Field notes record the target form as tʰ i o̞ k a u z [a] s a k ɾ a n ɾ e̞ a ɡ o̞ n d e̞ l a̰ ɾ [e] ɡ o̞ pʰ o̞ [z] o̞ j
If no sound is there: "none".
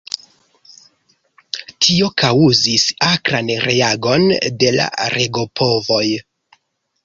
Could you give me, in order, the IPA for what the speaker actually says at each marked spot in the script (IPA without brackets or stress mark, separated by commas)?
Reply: i, e, v